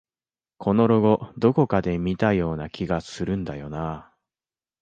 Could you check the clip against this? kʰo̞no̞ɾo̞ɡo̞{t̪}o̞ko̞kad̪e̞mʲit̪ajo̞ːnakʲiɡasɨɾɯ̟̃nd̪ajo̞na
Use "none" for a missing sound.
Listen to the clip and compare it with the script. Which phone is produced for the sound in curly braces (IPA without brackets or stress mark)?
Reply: d̪